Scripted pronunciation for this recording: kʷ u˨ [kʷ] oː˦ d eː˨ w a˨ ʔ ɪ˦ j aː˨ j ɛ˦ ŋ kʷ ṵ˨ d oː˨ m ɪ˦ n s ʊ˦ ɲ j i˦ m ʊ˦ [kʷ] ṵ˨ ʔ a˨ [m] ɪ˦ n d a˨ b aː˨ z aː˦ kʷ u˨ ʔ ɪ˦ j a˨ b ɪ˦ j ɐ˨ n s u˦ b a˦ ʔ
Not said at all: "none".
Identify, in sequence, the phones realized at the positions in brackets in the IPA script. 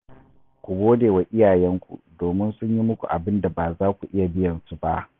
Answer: ɡʷ, kʷ, b

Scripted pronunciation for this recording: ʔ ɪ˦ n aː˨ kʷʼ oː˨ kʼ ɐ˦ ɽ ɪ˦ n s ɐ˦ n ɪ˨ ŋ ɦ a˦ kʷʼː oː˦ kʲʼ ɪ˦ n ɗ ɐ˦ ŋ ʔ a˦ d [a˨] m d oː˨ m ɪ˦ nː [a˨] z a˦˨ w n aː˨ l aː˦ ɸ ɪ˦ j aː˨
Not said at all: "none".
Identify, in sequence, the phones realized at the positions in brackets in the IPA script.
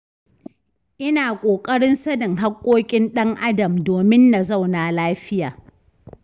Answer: ɐ˨, a˨

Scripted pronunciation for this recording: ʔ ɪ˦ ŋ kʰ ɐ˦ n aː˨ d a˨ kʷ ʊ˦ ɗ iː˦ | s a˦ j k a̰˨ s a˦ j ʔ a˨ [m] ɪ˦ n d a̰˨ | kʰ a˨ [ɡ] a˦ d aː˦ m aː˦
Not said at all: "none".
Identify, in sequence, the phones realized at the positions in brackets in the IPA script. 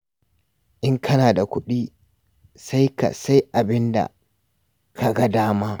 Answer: b, ɡ

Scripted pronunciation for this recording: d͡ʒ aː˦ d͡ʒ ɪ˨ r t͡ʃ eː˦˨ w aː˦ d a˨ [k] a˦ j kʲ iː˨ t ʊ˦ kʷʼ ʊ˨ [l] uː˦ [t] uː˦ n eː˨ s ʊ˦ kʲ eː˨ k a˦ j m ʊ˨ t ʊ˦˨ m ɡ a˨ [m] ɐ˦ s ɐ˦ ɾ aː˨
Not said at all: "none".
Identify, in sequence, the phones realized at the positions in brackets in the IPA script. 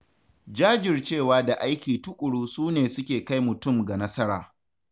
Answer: ʔ, ɽ, s, n

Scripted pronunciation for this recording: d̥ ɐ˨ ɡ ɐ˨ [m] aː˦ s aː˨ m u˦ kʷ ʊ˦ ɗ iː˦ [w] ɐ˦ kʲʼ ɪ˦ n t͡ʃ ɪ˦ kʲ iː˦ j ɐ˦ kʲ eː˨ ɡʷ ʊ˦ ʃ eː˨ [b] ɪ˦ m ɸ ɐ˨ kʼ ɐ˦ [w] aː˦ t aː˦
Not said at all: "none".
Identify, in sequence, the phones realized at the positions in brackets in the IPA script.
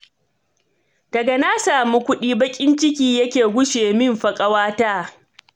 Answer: n, b, m, w

